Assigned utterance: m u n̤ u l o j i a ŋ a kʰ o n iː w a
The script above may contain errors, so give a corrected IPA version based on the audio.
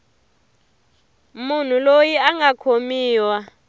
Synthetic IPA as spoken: m u n̤ u l o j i a ŋ a kʰ o m iː w a

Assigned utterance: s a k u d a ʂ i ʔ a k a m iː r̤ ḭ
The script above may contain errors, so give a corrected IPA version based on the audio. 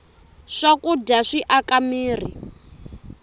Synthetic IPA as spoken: ʂ a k u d a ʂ i ʔ a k a m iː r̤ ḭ

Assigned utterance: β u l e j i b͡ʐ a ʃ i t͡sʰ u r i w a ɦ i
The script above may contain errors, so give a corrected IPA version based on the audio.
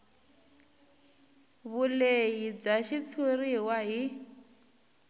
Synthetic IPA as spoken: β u l e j i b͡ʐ a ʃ i t͡sʰ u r i w a ɦ i

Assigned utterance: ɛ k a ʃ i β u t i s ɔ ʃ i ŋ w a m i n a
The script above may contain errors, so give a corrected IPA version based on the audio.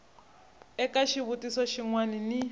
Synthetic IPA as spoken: ɛ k a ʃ i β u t i s ɔ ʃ i ŋ w a n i n i

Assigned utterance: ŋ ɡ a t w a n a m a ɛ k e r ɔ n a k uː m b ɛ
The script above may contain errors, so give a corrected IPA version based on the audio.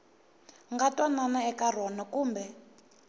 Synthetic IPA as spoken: ŋ ɡ a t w a n a n a ɛ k a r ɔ n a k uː m b ɛ

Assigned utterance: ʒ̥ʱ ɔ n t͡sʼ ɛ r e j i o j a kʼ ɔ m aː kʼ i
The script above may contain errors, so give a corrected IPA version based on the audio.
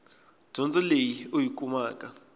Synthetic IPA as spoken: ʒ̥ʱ ɔ n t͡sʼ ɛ l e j i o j i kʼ u m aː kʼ a

